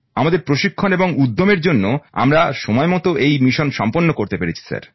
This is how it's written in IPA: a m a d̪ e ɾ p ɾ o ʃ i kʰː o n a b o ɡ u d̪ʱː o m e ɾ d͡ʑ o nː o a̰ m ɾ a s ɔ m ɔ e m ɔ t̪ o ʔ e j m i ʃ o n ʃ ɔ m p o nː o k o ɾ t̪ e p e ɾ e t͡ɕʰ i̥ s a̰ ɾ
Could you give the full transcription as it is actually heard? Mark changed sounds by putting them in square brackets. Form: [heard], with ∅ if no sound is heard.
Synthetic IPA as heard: a m a d̪ e ɾ p ɾ o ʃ i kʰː o n [e] b o [ŋ] u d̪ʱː o m e ɾ d͡ʑ o nː o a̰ m ɾ a [ʃ] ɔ m ɔ e m ɔ t̪ o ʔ e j m i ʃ o n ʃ ɔ m p o nː o k o ɾ t̪ e p e ɾ e t͡ɕʰ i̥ s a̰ ɾ